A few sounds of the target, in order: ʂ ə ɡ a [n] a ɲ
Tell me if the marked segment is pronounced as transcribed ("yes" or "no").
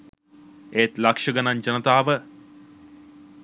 yes